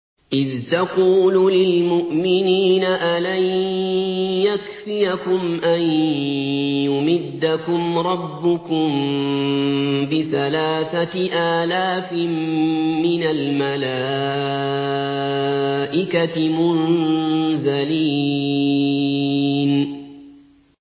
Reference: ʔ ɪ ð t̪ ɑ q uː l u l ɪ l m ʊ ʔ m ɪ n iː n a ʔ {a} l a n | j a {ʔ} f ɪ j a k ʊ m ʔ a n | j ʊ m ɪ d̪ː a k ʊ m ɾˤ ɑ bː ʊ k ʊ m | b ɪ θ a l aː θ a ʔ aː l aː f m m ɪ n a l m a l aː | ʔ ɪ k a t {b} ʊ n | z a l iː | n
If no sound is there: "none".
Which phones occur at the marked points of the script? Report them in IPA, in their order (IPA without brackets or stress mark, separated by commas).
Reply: a, k, m